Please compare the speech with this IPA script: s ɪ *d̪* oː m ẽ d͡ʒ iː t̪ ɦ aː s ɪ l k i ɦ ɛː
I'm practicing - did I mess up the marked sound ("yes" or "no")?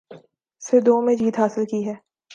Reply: no